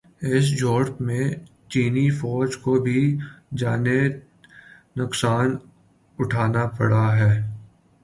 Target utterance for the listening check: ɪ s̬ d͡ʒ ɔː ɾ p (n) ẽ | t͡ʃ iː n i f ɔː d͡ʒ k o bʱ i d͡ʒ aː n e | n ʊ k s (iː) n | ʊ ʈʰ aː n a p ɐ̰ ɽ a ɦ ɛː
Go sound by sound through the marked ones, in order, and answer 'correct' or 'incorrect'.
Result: incorrect: m, incorrect: aː

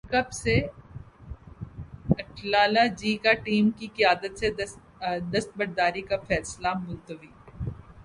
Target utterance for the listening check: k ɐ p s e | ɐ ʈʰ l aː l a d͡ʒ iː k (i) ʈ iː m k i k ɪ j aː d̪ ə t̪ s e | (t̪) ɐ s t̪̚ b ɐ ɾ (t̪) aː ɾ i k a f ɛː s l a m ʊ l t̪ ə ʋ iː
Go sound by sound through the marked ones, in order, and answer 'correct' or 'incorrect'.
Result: incorrect: a, incorrect: d̪, incorrect: d̪

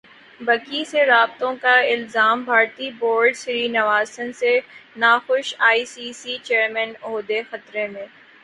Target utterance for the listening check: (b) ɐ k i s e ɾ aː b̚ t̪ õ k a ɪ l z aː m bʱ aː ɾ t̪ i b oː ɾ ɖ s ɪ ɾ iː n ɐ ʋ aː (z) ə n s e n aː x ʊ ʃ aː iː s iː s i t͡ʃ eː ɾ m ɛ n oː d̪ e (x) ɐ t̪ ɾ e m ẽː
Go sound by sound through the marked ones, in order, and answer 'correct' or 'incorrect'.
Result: correct, incorrect: s, correct

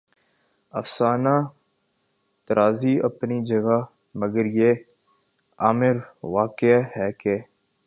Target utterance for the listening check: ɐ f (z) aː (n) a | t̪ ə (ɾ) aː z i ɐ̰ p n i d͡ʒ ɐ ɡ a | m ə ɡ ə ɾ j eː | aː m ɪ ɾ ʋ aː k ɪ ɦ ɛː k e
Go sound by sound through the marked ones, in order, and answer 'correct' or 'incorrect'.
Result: incorrect: s, correct, correct

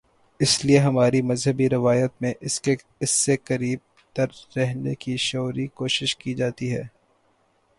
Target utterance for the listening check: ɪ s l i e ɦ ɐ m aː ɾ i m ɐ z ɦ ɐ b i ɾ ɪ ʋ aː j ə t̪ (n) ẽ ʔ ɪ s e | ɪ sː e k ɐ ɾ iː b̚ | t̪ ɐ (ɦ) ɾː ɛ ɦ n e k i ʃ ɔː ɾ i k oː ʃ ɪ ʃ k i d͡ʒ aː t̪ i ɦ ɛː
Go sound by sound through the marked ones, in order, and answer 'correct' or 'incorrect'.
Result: incorrect: m, incorrect: none

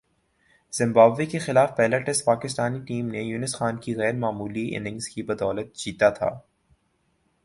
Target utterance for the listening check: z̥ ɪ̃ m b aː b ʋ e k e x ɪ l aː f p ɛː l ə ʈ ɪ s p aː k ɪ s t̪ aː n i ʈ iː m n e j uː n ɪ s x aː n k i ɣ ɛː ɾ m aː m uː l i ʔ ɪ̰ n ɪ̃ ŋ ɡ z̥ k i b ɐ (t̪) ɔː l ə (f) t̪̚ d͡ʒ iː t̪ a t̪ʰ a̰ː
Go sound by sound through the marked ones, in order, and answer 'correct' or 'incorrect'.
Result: incorrect: d̪, incorrect: none

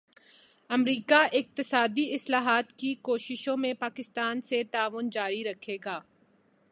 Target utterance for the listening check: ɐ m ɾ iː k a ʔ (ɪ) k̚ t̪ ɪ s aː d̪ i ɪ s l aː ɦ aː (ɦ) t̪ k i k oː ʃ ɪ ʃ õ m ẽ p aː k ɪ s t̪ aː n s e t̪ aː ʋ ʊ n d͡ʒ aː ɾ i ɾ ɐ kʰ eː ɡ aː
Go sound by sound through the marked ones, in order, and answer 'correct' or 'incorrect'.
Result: correct, incorrect: none

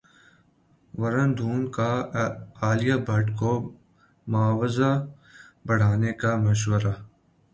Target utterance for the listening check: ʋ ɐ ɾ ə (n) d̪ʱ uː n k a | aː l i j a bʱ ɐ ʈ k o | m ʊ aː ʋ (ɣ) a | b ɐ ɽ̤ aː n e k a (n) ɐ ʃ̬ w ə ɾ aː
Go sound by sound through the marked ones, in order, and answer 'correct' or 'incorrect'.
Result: correct, incorrect: z, incorrect: m

